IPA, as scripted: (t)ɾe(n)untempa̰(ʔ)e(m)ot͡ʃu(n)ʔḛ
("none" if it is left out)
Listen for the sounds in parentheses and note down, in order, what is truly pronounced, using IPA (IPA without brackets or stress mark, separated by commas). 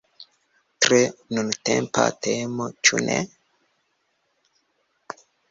t, n, t, m, n